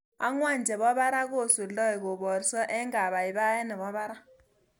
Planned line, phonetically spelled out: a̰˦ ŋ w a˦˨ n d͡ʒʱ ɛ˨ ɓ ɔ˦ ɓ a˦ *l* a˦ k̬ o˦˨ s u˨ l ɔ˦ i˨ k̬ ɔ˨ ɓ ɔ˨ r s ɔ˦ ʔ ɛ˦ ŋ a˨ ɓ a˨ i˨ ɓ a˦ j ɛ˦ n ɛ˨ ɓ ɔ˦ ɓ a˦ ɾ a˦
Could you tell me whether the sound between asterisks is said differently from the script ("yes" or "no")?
yes